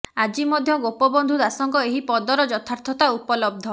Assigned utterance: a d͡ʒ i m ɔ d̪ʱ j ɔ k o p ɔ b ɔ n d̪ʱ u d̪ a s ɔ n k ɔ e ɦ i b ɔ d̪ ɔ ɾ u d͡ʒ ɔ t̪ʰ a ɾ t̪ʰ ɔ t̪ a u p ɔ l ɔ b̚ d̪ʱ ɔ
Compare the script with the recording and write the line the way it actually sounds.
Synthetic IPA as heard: a d͡ʒ i m ɔ d̪ʱ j ɔ ɡ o p ɔ b ɔ n d̪ʱ u d̪ a s ɔ ŋ k ɔ e ɦ i p ɔ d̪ ɔ ɾ ɔ d͡ʒ ɔ t̪ʰ a ɾ t̪ʰ ɔ t̪ a u p ɔ l ɔ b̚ d̪ʱ ɔ